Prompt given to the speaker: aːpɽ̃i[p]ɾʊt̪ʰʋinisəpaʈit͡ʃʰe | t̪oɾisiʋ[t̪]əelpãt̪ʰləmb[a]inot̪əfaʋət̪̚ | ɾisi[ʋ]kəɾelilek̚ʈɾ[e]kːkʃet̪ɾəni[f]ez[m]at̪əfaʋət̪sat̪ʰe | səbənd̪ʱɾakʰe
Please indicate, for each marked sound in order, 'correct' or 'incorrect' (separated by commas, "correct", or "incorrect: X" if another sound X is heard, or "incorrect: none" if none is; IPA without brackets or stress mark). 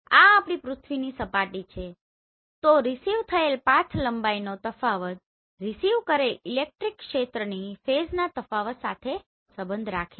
correct, incorrect: t̪ʰ, correct, correct, incorrect: i, correct, incorrect: n